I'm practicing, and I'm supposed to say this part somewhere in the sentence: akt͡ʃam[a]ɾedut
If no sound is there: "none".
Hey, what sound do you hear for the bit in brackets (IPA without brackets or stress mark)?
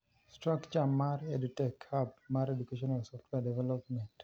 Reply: a